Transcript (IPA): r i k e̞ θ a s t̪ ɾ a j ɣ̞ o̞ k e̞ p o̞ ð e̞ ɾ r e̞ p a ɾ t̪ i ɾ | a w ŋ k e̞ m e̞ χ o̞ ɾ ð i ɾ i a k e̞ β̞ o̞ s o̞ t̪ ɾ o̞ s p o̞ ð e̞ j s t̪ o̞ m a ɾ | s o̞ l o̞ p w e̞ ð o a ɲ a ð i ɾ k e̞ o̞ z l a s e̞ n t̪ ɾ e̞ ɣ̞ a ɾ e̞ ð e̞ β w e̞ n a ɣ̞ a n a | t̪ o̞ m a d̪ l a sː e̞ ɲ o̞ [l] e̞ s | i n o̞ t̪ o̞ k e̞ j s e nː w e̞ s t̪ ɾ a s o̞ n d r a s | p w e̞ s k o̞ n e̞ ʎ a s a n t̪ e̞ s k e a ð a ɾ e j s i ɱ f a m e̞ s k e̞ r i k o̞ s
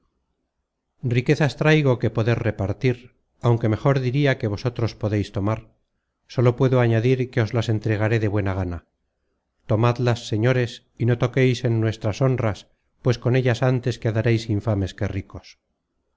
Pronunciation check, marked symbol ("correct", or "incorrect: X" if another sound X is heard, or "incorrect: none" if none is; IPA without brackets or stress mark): incorrect: ɾ